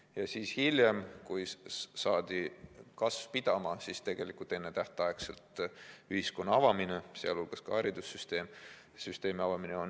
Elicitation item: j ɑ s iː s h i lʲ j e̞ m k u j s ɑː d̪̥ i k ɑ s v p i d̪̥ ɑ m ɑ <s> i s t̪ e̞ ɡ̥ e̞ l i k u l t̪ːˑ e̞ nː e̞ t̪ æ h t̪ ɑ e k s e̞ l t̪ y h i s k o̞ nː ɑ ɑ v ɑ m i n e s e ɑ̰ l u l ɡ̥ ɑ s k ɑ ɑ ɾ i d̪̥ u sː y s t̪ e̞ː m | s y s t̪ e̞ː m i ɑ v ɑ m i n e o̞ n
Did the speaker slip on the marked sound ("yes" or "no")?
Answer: no